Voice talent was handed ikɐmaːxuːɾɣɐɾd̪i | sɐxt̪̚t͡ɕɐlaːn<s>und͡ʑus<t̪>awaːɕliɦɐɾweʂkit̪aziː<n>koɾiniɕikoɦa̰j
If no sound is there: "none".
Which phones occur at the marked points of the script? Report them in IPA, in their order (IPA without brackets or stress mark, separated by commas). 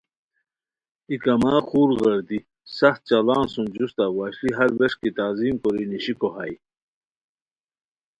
s, t̪, m